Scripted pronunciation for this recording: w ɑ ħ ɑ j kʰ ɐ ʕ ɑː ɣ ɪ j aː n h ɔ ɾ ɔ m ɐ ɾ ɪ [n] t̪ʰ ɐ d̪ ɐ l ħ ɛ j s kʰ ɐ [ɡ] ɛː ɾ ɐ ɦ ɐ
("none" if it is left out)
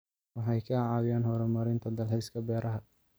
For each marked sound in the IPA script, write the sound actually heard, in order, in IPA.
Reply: n, b

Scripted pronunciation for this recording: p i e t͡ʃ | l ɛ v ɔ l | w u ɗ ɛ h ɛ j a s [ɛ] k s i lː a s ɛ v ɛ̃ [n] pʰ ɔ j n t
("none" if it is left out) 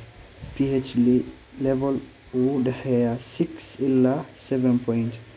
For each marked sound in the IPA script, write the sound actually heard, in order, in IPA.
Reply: i, n

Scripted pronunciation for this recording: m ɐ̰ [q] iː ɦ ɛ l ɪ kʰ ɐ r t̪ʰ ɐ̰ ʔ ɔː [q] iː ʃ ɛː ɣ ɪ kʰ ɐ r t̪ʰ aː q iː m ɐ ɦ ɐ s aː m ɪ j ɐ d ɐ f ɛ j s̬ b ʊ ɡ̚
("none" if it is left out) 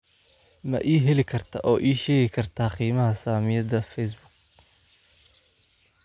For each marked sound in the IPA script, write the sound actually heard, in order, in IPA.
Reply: ʔ, ʔ

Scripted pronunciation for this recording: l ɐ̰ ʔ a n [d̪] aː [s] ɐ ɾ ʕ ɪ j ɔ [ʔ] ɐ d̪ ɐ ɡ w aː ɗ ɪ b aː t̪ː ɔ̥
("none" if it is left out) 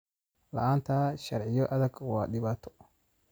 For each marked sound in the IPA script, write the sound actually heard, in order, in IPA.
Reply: t̪, ʃ, ʔ

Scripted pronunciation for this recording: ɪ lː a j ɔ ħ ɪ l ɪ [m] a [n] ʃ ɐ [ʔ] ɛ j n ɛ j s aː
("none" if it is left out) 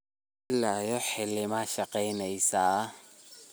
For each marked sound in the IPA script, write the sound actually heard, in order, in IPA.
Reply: m, none, q

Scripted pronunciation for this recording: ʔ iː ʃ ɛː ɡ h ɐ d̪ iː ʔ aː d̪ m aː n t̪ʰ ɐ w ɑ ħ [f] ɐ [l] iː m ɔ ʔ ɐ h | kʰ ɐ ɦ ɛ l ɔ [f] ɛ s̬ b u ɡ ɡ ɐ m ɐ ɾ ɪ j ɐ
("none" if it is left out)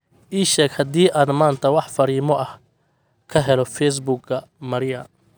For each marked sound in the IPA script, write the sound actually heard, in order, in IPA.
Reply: f, ɾ, f

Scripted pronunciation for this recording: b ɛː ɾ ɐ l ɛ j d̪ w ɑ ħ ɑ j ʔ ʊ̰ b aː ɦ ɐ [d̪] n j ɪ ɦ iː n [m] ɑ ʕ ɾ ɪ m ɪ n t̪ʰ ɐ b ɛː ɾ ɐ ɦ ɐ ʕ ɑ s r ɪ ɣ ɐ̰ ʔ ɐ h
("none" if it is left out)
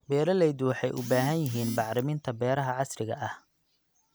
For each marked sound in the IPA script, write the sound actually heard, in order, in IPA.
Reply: none, b

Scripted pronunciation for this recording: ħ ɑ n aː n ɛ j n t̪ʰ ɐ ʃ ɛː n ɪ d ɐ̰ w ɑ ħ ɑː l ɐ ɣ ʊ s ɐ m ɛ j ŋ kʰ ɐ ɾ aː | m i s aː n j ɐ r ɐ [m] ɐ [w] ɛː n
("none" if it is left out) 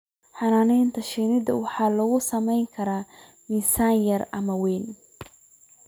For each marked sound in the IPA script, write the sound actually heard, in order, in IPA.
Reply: m, w

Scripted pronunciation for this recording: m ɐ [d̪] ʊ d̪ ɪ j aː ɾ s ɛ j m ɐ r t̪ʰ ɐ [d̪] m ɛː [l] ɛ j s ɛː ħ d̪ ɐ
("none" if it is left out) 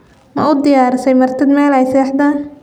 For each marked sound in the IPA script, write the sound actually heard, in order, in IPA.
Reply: none, d̪, l

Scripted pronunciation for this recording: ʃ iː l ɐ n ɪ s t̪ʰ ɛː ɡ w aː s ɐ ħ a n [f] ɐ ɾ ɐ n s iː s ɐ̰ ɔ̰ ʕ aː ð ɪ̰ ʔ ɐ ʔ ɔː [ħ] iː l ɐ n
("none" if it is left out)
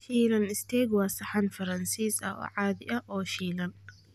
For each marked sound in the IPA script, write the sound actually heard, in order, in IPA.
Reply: f, ʃ

